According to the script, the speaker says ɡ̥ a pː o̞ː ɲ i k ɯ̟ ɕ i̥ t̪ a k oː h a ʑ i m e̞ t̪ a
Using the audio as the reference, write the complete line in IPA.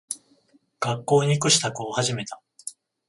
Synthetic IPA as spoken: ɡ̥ a kː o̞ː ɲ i k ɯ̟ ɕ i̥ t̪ a k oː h a ʑ i m e̞ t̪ a